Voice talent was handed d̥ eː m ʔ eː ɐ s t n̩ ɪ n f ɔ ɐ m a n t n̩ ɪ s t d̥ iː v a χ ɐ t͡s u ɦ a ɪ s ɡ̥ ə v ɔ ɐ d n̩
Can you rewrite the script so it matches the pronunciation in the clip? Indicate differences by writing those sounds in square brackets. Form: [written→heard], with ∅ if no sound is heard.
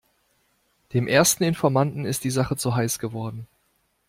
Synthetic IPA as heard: d̥ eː m ʔ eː ɐ s t n̩ ɪ n f ɔ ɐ m a n t n̩ ɪ s t d̥ iː [v→z] a χ [ɐ→ə] t͡s u ɦ a ɪ s ɡ̥ ə v ɔ ɐ d n̩